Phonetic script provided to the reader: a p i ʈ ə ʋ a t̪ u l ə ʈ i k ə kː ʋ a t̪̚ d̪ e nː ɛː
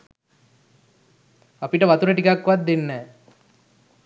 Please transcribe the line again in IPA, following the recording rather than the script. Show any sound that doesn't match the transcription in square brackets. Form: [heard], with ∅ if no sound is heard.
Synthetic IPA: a p i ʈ ə ʋ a t̪ u [ɾ] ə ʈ i k [a] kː ʋ a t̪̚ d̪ e nː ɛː